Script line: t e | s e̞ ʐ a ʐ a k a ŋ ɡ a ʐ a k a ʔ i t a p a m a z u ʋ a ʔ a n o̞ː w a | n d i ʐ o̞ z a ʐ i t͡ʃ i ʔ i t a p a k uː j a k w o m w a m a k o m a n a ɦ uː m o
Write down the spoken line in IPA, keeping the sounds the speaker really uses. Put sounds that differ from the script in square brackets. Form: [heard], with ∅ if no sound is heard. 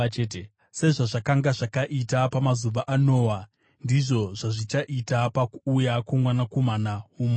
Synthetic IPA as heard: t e | s e̞ ʐ a ʐ a k a ŋ ɡ a ʐ a k a ʔ i t a p a m a z u ʋ a ʔ a n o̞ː w a | n d i ʐ o̞ [ʐ] a ʐ i t͡ʃ [a] ʔ i t a p a k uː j a k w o m w a [n] a k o m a n a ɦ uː m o

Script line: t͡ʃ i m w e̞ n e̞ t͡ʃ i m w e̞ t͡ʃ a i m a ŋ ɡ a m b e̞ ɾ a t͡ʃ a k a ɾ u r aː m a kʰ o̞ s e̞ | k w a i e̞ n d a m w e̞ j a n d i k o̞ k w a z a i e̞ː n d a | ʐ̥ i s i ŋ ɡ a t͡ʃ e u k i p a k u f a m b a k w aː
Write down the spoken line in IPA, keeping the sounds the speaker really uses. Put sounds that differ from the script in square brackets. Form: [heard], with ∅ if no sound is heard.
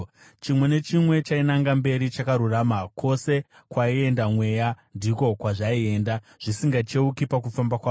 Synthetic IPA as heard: t͡ʃ i m w e̞ n e̞ t͡ʃ i m w e̞ t͡ʃ a i [n] a ŋ ɡ a m b e̞ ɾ [i] t͡ʃ a k a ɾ u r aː m a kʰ o̞ s e̞ | k w a i e̞ n d a m w e̞ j a n d i k o̞ k w a [ʐ] a i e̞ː n d a | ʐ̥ i s i ŋ ɡ a t͡ʃ e u k i p a k u f a m b a k w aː

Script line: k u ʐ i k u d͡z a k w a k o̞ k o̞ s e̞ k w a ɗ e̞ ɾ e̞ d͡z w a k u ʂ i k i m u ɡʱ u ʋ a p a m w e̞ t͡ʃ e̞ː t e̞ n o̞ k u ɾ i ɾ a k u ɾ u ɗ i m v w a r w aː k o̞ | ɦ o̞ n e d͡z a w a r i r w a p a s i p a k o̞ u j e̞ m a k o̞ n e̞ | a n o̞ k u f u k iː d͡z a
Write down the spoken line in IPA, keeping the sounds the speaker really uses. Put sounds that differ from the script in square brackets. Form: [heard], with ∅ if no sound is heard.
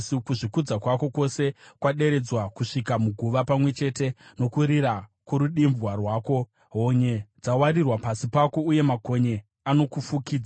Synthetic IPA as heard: k u ʐ i k u d͡z a k w a k o̞ k o̞ s e̞ k w a ɗ e̞ ɾ e̞ d͡z w a k u ʂ i k [a] m u ɡʱ u ʋ a p a m w e̞ t͡ʃ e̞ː t e̞ n o̞ k u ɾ i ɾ a k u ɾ u ɗ i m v w a r w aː k o̞ | ɦ o̞ [ɲ] e d͡z a w a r i r w a p a s i p a k o̞ u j e̞ m a k o̞ [ɲ] e̞ | a n o̞ k u f u k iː d͡z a

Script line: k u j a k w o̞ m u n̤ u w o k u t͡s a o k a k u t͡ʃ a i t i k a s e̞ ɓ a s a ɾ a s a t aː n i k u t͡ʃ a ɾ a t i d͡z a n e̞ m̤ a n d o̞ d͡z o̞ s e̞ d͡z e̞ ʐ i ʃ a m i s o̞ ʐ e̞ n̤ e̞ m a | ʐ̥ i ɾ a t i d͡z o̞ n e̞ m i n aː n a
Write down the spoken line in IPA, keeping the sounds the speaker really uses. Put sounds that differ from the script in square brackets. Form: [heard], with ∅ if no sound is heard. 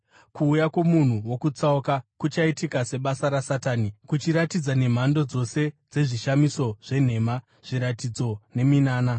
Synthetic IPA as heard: k [uː] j a k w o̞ m u n̤ u w o k u t͡s a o k a k u t͡ʃ a i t i k a s e̞ ɓ a s a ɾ a s a t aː n i k u t͡ʃ [i] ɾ a t i d͡z a n e̞ m̤ a n d o̞ d͡z o̞ s e̞ d͡z e̞ ʐ i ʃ a m i s o̞ ʐ e̞ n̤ e̞ m a | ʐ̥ i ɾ a t i d͡z o̞ n e̞ m i n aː n a

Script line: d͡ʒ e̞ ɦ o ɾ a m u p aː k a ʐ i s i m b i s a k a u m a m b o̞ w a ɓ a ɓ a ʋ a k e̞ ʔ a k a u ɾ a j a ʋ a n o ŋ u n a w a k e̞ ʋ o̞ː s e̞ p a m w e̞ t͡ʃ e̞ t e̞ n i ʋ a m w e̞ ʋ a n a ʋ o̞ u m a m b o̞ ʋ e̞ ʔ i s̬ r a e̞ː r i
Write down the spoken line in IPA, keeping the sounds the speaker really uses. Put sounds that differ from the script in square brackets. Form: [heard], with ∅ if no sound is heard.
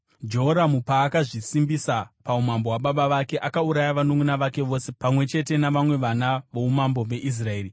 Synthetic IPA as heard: d͡ʒ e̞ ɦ o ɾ a m u p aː k a ʐ i s i m b i s a [p] a u m a m b o̞ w a ɓ a ɓ a ʋ a k e̞ ʔ a k a u ɾ a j a ʋ a n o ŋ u n a [ʋ] a k e̞ ʋ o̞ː s e̞ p a m w e̞ t͡ʃ e̞ t e̞ n [a] ʋ a m w e̞ ʋ a n a ʋ o̞ u m a m b o̞ ʋ e̞ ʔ i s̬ r a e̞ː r i

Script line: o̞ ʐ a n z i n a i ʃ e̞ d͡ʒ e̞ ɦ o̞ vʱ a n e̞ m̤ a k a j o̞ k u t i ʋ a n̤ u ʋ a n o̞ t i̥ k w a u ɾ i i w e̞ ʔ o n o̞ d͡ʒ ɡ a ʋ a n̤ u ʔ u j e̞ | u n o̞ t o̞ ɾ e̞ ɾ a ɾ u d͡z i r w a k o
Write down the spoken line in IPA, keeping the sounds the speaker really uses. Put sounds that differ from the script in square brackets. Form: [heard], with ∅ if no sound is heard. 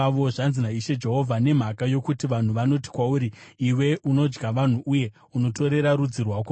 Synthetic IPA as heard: o̞ ʐ a n z i n a i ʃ e̞ d͡ʒ e̞ ɦ o̞ vʱ a n e̞ m̤ a k a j o̞ k u t i ʋ a n̤ u ʋ a n o̞ t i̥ k w a u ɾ i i w e̞ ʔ [u] n o̞ d͡ʒ ɡ a ʋ a n̤ u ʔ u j e̞ | u n o̞ t o̞ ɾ e̞ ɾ a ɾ u d͡z i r w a k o

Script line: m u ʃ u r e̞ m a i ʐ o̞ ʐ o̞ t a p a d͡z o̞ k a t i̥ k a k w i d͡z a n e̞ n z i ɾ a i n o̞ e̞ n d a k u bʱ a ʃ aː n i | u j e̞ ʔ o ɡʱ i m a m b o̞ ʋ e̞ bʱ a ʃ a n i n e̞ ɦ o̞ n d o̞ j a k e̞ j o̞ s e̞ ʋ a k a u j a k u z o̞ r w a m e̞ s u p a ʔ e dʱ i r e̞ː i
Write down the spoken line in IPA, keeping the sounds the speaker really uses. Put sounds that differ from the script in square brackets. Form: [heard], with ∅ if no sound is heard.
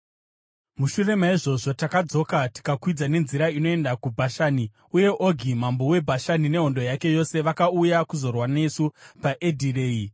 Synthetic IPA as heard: m u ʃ u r e̞ m a i ʐ o̞ ʐ o̞ t a [k] a d͡z o̞ k a t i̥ k a k w i d͡z a n e̞ n z i ɾ a i n o̞ e̞ n d a k u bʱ a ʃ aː n i | u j e̞ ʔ o ɡʱ i m a m b o̞ [w] e̞ bʱ a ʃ a n i n e̞ ɦ o̞ n d o̞ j a k e̞ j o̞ s e̞ ʋ a k a u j a k u z o̞ r w a [n] e̞ s u p a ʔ e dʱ i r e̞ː i

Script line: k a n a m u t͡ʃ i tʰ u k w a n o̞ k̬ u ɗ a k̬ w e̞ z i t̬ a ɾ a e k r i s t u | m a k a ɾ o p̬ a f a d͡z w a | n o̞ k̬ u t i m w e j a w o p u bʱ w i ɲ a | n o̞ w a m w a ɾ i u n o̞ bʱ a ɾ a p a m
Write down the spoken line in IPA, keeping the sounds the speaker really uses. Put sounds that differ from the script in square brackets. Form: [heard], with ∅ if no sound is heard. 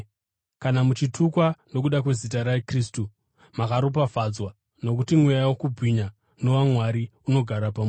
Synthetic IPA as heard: k a n a m u t͡ʃ i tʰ u k w a n o̞ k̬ u ɗ a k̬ w e̞ z i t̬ a ɾ a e k r i s t u | m a k a ɾ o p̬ a f a d͡z w a | n o̞ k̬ u t i m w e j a w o [k] u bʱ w i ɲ a | n o̞ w a m w a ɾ i u n o̞ [ɡʱ] a ɾ a p a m

